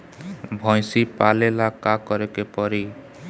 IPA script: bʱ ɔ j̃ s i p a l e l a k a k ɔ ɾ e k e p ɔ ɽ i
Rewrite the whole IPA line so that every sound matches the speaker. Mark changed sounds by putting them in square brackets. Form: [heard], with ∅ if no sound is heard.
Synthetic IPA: bʱ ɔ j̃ s i p a l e l a k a k ɔ ɾ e k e p ɔ [ɾ] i